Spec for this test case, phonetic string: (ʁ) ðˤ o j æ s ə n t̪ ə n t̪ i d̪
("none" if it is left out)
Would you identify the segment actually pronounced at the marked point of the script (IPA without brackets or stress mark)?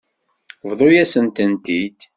v